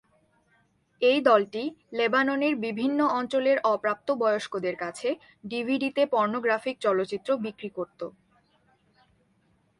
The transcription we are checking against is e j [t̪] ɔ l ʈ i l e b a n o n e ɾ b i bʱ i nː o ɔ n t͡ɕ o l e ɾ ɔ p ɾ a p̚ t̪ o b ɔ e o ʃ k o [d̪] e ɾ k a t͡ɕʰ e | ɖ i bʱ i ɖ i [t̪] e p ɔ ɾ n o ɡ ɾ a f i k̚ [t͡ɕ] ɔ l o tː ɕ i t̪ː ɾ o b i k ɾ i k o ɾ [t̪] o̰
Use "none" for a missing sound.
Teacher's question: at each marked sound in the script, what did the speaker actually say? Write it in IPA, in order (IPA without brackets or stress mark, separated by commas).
d̪, d̪, t̪, t͡ɕ, t̪